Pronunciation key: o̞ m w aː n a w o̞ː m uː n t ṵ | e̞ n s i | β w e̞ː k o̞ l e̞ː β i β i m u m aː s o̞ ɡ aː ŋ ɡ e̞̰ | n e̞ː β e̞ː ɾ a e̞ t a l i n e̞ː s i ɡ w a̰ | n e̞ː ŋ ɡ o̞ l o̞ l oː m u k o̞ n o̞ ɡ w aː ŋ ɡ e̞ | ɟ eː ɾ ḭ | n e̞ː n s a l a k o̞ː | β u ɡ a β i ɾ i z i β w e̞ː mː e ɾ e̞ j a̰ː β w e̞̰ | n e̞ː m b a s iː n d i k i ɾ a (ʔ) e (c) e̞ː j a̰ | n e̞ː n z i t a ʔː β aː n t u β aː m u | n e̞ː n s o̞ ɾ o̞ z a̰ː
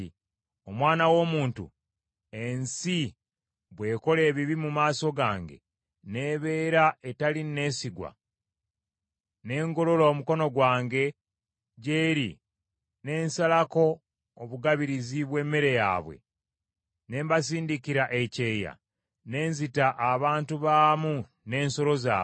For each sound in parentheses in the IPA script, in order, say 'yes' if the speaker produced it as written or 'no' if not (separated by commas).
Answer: yes, yes